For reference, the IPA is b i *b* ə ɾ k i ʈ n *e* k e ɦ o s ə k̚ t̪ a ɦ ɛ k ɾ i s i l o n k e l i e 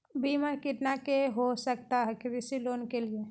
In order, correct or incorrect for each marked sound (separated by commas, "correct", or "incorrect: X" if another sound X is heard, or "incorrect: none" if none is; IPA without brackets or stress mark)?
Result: incorrect: m, incorrect: a